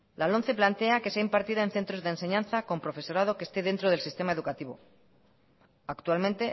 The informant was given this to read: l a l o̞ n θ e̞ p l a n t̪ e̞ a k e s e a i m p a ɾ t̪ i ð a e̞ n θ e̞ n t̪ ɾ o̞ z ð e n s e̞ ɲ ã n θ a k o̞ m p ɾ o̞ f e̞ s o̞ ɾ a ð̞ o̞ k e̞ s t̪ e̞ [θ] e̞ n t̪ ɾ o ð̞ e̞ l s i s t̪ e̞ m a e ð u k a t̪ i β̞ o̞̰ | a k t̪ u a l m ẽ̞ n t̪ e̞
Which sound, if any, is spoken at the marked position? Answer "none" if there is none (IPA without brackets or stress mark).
ð